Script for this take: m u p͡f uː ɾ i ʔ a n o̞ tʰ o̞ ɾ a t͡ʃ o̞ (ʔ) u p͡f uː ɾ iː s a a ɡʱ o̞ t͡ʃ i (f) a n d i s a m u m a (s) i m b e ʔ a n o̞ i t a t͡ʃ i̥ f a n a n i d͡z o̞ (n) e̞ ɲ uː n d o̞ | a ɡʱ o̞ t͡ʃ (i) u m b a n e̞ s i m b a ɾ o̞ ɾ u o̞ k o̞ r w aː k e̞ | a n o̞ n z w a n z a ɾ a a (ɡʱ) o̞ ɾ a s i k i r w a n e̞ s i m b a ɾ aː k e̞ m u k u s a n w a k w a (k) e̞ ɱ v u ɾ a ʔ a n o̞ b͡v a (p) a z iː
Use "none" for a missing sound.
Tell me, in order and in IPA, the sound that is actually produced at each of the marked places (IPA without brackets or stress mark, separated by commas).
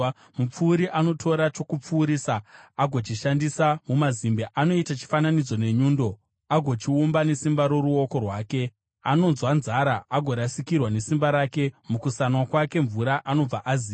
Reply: k, ʃ, z, n, i, ɡʱ, k, ʔ